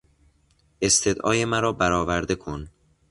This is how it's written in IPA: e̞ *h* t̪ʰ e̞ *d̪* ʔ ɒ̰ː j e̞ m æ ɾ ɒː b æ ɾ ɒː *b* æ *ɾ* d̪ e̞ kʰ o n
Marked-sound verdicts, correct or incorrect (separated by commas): incorrect, correct, incorrect, correct